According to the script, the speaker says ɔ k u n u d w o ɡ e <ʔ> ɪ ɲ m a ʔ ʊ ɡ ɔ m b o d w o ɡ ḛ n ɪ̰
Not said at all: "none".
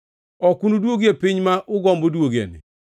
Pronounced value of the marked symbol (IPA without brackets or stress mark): p